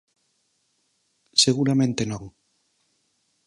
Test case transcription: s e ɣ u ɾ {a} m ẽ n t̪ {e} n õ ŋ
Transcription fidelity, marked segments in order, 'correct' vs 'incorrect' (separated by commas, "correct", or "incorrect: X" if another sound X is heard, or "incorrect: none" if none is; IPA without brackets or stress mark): correct, correct